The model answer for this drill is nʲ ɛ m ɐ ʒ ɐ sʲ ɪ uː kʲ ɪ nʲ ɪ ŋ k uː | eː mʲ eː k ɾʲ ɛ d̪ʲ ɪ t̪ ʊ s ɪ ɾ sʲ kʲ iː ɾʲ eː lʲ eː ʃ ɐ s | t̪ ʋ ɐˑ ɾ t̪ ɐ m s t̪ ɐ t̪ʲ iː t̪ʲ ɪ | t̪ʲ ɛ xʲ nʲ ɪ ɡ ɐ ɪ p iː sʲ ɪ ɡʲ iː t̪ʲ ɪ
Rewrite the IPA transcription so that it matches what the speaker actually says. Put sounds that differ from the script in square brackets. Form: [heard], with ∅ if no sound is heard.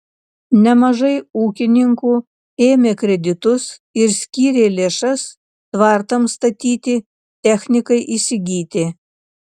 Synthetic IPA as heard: nʲ ɛ m ɐ ʒ ɐ [∅] ɪ uː kʲ ɪ nʲ ɪ ŋ k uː | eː mʲ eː k ɾʲ ɛ d̪ʲ ɪ t̪ ʊ s ɪ ɾ sʲ kʲ iː ɾʲ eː lʲ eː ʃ ɐ s | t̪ ʋ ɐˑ ɾ t̪ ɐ m s t̪ ɐ t̪ʲ iː t̪ʲ ɪ | t̪ʲ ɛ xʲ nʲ ɪ [k] ɐ ɪ [ʔ] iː sʲ ɪ ɡʲ iː t̪ʲ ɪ